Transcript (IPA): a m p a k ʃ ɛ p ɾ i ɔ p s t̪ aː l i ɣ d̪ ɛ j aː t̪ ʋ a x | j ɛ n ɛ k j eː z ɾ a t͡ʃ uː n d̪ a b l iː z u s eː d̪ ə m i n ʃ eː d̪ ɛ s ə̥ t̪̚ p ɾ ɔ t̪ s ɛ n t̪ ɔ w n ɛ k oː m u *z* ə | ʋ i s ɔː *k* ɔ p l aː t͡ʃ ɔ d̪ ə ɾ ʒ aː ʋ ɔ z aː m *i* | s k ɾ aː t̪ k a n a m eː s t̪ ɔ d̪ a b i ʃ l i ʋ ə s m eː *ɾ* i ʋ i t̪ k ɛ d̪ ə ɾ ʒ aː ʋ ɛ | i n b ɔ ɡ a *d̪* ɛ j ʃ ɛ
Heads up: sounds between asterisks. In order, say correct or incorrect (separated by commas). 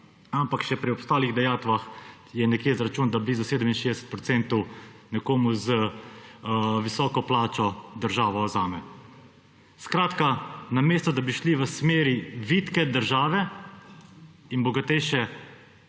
correct, correct, incorrect, correct, incorrect